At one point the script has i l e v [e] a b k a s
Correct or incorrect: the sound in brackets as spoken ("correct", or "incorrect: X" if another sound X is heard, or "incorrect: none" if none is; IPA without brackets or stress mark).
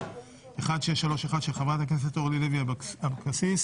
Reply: incorrect: i